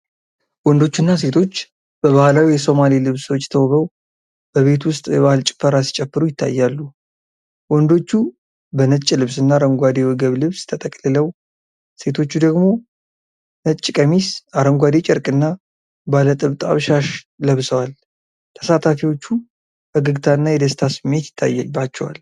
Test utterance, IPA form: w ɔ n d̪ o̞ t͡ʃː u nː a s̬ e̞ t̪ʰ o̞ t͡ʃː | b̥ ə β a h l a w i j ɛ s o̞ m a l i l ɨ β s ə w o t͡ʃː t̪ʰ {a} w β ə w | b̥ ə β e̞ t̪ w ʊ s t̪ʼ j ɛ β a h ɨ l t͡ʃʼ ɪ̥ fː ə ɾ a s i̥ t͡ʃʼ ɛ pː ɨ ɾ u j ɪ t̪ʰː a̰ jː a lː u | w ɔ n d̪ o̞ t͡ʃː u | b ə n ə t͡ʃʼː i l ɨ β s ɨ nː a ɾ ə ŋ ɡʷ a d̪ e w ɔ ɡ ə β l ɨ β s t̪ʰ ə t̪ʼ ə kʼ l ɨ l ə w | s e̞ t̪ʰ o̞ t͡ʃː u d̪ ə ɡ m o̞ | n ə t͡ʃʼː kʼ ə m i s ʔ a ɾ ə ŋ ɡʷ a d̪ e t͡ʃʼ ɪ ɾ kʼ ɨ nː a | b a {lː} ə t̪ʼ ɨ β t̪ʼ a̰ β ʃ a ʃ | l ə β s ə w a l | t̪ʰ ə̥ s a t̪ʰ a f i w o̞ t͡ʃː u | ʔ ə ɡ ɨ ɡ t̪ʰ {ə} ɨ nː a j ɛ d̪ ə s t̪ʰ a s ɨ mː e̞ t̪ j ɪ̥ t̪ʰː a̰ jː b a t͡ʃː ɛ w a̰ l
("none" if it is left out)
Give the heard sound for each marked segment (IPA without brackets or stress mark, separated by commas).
ə, l, a